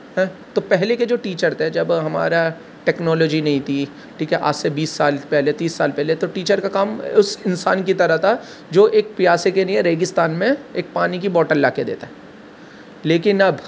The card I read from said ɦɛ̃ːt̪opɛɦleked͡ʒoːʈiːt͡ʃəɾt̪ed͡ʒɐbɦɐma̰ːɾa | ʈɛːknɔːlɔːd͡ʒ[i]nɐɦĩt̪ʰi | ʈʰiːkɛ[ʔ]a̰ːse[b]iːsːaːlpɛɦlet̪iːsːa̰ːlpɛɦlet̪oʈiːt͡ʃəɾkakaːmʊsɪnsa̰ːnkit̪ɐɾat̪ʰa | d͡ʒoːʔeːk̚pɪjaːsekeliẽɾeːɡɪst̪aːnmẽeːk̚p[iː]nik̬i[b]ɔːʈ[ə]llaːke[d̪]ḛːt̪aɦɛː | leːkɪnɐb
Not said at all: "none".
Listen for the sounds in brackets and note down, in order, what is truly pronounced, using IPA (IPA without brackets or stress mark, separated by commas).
i, ʔ, b, aː, b, ə, d̪